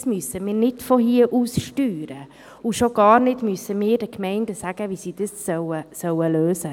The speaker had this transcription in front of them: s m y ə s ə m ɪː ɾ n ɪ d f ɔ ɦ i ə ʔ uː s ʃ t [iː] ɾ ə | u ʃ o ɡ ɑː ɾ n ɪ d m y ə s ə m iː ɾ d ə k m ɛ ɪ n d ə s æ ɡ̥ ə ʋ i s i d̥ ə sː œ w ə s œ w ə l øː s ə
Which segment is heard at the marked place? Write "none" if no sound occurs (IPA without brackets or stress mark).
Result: yː